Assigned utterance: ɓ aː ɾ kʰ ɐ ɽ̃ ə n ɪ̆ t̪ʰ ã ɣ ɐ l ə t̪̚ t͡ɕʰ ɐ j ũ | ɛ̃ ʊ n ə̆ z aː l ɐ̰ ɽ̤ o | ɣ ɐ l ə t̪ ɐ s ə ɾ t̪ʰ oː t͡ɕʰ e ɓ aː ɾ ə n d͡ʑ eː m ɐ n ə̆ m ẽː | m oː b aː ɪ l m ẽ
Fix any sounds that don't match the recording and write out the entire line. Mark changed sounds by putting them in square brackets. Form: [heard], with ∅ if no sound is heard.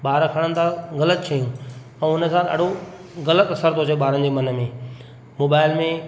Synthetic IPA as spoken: ɓ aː ɾ kʰ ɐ ɽ̃ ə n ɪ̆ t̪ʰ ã ɣ ɐ l ə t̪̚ t͡ɕʰ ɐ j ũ | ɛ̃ ʊ n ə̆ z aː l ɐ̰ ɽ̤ o | ɣ ɐ l ə t̪ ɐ s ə ɾ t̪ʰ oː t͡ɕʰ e ɓ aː ɾ ə n d͡ʑ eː m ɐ n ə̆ m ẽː | m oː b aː ɪ l m ẽ